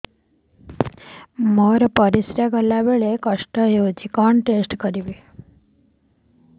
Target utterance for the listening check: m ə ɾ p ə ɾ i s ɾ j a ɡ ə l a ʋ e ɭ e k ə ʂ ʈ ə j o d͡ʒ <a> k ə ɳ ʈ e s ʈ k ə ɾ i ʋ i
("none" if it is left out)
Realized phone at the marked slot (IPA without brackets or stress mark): i